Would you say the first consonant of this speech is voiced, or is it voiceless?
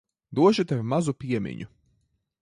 voiced